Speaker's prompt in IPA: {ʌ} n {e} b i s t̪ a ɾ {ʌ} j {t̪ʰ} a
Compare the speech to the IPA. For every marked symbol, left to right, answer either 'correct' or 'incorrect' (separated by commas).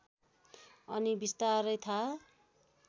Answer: correct, incorrect, correct, correct